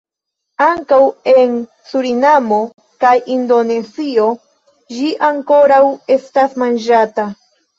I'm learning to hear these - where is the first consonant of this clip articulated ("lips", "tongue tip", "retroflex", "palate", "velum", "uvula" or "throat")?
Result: velum